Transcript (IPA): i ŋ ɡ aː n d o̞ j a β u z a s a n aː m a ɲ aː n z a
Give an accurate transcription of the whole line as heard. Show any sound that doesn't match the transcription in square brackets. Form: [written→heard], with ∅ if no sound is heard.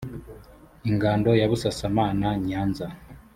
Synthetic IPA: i ŋ ɡ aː n d o̞ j a β u [z→s] a s a [n→m] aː [m→n] a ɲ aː n z a